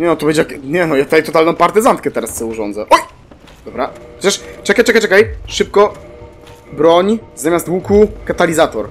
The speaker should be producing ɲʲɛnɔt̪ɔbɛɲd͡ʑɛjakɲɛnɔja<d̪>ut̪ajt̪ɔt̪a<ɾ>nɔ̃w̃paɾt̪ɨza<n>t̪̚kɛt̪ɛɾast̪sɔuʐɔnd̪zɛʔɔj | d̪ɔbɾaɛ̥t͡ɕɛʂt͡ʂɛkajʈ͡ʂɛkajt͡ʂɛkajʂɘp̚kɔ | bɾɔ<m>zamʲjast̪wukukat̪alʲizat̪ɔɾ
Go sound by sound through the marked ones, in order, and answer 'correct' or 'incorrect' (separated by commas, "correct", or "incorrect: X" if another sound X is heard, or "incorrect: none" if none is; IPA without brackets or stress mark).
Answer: incorrect: t̪, incorrect: l, correct, incorrect: ɲ